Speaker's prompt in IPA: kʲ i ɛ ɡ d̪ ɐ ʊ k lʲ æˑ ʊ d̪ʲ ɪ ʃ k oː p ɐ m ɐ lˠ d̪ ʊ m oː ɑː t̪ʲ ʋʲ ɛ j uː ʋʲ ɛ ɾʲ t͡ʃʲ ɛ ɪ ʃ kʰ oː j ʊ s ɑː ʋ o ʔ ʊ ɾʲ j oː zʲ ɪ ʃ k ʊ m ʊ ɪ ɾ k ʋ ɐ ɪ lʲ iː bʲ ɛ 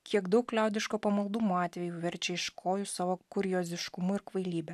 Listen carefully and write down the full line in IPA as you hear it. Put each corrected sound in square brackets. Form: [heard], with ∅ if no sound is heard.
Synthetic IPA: kʲ i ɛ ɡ d̪ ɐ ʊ k lʲ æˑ ʊ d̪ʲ ɪ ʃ k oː p ɐ m ɐ lˠ d̪ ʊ m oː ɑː t̪ʲ ʋʲ ɛ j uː ʋʲ ɛ ɾʲ t͡ʃʲ ɛ ɪ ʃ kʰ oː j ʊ s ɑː ʋ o [k] ʊ ɾʲ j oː zʲ ɪ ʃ k ʊ m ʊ ɪ ɾ k ʋ ɐ ɪ lʲ iː bʲ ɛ